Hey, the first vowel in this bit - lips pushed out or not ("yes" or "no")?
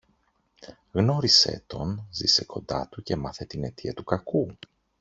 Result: yes